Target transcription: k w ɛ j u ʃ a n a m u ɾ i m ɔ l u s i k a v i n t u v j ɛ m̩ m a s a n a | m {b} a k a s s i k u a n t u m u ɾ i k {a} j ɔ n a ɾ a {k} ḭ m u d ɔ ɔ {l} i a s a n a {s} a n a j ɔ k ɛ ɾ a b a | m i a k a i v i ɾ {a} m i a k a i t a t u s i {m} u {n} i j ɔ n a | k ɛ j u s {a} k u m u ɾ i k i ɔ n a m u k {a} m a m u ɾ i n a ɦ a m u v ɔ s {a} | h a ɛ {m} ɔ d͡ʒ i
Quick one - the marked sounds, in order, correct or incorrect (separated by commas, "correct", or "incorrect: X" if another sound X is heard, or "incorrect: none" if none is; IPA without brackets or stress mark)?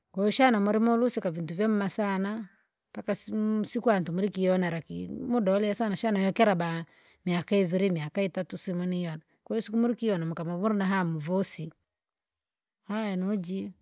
incorrect: p, incorrect: i, correct, correct, incorrect: ʃ, incorrect: i, correct, correct, incorrect: i, correct, incorrect: i, incorrect: n